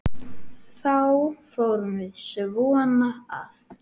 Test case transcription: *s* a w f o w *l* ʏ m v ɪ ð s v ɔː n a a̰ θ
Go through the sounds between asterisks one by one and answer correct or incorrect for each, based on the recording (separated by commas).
incorrect, incorrect